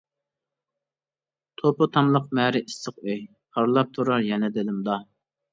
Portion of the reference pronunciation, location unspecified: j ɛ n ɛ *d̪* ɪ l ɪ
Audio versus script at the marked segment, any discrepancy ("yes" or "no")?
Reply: no